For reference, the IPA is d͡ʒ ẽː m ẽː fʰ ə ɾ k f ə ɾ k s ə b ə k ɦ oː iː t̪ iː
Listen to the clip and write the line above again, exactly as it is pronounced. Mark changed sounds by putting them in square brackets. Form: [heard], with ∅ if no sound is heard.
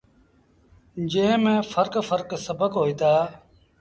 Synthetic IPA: d͡ʒ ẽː m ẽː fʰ ə ɾ k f ə ɾ k s ə b ə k ɦ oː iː t̪ [aː]